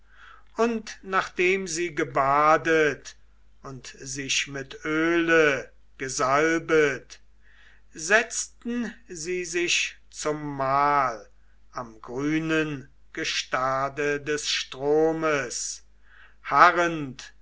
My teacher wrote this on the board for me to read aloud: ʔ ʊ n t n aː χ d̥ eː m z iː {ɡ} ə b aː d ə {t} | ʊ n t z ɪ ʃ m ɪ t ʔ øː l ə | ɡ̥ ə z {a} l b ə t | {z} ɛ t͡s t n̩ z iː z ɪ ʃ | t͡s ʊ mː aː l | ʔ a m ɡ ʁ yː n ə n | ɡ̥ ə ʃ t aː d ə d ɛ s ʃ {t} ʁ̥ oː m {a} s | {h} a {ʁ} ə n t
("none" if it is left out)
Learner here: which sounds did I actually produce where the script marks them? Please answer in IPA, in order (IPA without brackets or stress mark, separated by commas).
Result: ɡ, t, a, z, t, ə, h, ʁ